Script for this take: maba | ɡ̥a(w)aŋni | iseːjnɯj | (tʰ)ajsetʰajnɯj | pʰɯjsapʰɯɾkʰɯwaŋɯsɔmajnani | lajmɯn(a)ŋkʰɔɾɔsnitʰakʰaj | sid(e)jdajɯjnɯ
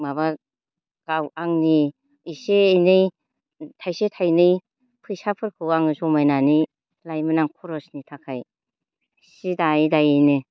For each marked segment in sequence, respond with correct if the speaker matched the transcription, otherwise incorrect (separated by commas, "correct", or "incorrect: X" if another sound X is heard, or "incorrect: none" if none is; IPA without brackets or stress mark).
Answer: correct, correct, correct, incorrect: a